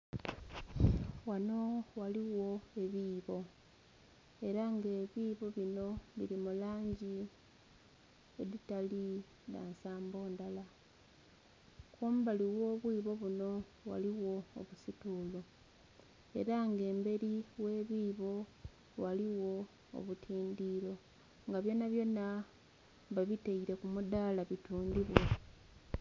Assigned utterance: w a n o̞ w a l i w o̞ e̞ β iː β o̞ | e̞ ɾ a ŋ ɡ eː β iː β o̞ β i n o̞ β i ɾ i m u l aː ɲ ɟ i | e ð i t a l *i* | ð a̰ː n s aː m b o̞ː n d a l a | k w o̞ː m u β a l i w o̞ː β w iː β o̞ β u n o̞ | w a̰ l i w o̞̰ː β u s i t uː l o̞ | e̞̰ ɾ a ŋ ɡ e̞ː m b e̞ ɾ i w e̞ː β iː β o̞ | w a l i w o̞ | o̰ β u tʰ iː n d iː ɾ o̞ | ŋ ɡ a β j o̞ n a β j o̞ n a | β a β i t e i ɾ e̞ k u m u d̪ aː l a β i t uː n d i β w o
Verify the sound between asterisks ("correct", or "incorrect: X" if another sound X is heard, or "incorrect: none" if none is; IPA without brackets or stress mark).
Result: correct